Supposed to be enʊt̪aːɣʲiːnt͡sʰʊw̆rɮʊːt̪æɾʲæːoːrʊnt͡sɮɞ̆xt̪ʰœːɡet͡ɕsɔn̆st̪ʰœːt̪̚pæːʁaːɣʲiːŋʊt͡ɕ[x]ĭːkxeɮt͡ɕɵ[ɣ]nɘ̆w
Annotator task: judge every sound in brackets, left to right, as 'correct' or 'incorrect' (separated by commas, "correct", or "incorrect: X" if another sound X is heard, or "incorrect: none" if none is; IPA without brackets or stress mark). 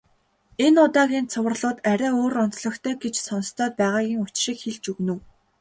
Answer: incorrect: ʃ, correct